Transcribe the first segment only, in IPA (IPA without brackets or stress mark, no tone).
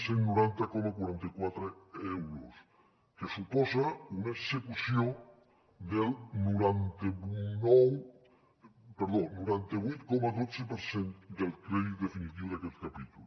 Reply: s